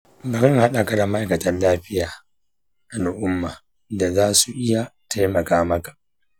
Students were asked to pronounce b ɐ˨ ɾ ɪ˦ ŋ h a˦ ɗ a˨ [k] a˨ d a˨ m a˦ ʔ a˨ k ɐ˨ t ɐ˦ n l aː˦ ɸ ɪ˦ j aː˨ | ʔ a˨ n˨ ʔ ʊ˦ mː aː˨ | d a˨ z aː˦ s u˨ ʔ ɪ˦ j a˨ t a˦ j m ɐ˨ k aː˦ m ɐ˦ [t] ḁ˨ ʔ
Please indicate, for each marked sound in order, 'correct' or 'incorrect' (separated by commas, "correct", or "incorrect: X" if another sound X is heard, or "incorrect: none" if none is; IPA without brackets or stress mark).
correct, incorrect: k